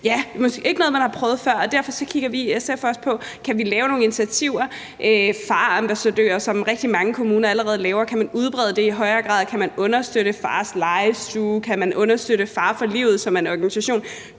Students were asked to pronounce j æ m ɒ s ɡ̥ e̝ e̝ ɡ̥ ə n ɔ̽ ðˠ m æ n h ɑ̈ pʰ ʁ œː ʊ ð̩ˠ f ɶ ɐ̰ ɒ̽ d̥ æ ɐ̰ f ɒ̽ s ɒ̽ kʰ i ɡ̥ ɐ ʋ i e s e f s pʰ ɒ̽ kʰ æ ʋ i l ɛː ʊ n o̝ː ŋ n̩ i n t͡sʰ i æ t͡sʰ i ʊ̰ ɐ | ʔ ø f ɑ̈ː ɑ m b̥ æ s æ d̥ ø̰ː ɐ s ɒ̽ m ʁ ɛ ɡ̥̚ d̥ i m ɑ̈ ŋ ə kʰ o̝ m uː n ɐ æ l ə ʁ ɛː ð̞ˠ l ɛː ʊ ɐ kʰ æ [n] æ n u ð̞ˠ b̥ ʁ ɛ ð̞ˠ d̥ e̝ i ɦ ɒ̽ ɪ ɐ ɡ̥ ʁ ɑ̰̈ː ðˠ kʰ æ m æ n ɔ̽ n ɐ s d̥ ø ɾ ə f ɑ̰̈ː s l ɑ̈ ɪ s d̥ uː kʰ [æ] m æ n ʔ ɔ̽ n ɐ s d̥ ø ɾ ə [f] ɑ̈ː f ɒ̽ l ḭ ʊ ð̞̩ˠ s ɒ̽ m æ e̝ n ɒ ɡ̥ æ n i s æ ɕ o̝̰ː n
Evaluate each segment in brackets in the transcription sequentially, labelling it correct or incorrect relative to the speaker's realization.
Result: incorrect, correct, correct

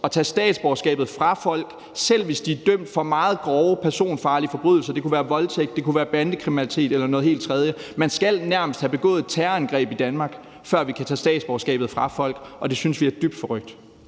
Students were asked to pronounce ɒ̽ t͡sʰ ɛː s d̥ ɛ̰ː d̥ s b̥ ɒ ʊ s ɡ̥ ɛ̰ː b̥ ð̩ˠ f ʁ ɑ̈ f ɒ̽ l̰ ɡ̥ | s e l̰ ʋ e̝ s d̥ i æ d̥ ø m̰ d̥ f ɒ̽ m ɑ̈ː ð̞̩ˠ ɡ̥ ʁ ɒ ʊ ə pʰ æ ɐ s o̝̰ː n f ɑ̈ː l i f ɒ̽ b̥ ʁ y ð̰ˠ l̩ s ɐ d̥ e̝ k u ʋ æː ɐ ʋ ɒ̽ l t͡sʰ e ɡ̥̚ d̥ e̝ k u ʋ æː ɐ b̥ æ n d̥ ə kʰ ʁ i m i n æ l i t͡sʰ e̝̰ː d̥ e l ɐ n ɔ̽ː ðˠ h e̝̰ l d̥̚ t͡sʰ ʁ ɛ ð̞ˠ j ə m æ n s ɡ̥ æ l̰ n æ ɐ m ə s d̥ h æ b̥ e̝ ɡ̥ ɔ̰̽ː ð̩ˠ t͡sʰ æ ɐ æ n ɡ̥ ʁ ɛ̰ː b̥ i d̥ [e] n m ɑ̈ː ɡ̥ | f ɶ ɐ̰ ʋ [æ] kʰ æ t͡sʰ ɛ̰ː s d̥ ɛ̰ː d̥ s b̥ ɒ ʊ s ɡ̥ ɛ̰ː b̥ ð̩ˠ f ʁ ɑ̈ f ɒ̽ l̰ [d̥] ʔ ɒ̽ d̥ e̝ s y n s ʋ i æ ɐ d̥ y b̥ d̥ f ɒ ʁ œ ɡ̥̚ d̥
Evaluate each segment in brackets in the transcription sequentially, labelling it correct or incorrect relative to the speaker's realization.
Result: incorrect, incorrect, incorrect

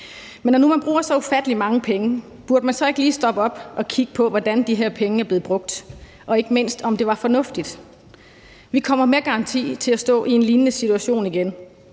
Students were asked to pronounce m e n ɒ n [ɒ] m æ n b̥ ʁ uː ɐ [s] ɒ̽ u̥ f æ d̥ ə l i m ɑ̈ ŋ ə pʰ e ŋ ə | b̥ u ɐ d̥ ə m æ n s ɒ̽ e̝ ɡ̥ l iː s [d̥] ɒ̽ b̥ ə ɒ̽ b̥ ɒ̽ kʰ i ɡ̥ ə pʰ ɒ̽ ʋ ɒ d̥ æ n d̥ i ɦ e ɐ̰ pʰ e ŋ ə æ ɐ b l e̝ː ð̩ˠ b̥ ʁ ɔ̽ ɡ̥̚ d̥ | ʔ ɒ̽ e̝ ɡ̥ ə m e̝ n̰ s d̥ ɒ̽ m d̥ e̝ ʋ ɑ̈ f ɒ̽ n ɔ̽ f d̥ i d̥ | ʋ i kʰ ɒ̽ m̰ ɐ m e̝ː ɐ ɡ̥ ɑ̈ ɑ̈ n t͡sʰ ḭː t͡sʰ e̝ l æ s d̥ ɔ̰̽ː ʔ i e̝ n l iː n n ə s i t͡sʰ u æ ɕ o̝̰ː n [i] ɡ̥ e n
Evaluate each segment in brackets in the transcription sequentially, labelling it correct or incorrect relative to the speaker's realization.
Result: incorrect, correct, correct, correct

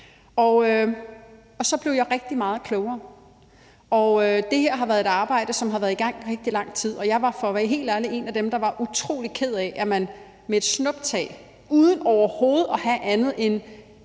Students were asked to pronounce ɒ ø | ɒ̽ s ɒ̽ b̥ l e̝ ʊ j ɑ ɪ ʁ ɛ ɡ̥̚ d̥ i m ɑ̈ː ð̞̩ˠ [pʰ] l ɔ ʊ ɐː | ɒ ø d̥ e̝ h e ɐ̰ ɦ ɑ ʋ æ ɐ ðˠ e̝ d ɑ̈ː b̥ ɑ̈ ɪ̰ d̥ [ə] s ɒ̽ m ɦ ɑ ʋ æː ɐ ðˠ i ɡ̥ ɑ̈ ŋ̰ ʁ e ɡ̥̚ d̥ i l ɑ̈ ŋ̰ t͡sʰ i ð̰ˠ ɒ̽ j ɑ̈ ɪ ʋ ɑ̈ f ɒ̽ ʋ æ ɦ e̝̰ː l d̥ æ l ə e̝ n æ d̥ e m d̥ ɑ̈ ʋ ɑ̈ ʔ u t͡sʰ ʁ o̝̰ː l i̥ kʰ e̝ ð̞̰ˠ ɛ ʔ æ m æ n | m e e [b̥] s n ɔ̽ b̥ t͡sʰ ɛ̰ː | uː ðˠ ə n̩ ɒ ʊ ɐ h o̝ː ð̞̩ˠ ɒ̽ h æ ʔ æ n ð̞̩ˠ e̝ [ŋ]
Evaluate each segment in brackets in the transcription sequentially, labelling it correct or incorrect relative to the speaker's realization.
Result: incorrect, correct, incorrect, incorrect

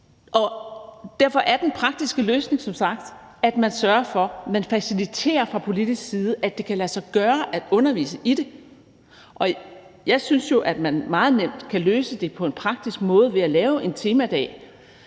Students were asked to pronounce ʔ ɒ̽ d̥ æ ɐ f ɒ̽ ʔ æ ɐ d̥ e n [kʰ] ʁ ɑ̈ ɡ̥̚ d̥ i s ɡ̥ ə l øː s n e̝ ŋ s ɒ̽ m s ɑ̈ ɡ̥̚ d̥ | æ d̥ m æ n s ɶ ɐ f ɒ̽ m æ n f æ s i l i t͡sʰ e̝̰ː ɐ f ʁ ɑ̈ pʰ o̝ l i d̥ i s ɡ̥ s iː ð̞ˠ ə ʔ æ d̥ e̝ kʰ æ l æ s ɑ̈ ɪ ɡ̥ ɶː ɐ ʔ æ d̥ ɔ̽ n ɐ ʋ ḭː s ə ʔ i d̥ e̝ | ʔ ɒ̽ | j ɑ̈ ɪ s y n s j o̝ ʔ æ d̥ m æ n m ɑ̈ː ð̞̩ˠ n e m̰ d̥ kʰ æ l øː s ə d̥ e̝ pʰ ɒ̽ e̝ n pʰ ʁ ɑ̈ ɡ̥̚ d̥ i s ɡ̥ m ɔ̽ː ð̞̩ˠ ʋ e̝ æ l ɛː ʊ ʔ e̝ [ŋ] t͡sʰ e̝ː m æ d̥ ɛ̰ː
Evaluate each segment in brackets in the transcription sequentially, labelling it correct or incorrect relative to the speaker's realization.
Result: incorrect, incorrect

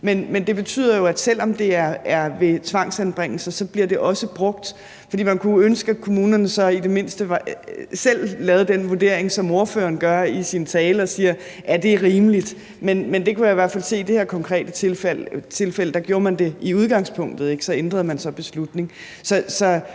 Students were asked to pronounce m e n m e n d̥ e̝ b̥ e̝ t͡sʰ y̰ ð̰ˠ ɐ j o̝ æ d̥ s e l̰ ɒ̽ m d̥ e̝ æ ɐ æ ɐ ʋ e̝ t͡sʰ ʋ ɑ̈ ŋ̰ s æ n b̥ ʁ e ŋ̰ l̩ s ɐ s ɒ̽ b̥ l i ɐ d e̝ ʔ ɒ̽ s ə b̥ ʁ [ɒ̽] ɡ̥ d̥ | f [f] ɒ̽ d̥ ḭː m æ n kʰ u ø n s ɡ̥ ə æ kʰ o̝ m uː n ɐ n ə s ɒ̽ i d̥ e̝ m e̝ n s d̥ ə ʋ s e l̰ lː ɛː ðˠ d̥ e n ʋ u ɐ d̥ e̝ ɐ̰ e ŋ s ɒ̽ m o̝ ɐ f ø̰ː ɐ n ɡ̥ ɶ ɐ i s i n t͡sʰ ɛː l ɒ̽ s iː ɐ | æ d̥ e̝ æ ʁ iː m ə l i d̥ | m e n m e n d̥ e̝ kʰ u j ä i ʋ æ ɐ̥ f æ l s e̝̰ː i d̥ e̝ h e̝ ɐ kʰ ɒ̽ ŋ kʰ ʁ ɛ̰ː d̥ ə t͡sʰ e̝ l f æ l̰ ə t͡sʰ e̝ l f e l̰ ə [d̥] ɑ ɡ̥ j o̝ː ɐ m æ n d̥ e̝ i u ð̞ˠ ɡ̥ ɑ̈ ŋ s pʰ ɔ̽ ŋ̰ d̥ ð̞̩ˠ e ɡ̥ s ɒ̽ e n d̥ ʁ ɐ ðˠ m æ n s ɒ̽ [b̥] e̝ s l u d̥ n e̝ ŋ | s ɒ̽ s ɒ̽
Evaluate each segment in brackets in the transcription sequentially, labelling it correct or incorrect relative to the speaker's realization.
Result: incorrect, correct, correct, correct

